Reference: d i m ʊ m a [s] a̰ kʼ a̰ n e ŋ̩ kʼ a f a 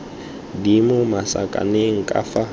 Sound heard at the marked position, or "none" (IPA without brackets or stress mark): s